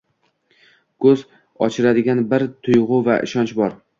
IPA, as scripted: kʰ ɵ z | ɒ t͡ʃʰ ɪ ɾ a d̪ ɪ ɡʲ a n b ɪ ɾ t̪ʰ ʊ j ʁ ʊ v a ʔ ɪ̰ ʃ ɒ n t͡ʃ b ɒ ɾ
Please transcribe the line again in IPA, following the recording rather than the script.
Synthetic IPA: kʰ ɵ z | ɒ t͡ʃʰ ɪ ɾ a d̪ ɪ ɡʲ a n b ɪ ɾ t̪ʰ ʊ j ʁ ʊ v a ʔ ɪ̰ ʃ ɒ n t͡ʃ b ɒ ɾ

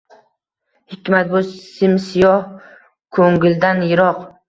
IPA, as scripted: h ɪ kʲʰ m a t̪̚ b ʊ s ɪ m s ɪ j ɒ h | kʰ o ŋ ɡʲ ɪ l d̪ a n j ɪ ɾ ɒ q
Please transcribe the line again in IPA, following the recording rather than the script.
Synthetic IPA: h ɪ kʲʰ m a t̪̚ b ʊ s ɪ m s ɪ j ɒ h | kʰ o ŋ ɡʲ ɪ l d̪ a n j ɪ ɾ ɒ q

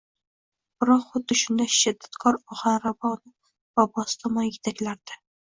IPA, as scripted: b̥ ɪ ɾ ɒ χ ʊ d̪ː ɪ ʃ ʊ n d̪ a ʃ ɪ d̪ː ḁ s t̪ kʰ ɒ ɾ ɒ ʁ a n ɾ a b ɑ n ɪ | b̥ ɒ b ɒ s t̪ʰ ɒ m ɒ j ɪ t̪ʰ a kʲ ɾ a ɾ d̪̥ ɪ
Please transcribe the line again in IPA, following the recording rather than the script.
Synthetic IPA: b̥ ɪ ɾ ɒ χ ʊ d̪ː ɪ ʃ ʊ n d̪ a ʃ ɪ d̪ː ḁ t̪ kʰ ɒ ɾ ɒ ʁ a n ɾ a b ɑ n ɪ | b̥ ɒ b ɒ s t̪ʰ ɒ m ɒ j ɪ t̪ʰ a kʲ l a ɾ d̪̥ ɪ

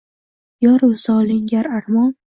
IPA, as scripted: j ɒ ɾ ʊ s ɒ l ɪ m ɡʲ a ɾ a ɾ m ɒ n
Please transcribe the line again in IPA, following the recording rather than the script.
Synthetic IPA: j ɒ ɾ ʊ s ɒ l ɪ ŋ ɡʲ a ɾ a ɾ m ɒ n

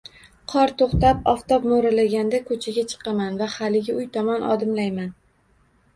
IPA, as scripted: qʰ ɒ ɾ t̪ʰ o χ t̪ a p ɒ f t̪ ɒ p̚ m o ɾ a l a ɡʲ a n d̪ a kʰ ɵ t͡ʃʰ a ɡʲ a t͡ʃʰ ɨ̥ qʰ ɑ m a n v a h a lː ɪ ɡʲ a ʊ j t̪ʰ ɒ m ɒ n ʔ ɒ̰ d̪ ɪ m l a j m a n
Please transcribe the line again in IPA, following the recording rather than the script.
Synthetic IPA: qʰ ɒ ɾ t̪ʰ o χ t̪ a p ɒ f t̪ ɒ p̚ m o ɾ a l a ɡʲ a n d̪ a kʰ ɵ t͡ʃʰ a ɡʲ a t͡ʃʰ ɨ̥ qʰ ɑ m a n v a h a l ɪ ɡʲ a ʊ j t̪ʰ ɒ m ɒ n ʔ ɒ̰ d̪ ɪ m l a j m a n

